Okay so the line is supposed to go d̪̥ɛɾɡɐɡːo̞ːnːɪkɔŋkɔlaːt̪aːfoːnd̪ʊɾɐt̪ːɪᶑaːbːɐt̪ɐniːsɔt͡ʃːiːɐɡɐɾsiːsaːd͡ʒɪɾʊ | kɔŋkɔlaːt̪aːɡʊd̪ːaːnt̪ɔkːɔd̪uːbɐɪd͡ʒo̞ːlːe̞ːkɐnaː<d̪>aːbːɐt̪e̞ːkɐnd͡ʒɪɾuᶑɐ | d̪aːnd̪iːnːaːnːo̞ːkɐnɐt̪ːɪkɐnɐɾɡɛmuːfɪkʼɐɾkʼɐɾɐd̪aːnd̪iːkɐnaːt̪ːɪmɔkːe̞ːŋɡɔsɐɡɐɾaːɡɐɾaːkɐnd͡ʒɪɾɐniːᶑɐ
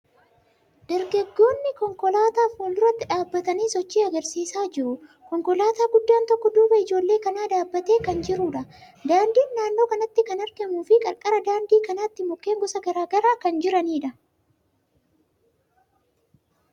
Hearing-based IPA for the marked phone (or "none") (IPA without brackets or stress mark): d̪